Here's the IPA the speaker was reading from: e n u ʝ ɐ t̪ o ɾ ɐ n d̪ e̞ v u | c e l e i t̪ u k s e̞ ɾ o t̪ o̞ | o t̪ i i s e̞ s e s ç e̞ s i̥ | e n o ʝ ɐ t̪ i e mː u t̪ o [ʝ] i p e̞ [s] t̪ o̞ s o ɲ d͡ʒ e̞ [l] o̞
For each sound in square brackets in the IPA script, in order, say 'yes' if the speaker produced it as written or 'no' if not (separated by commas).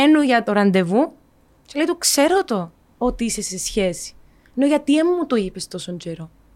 no, yes, no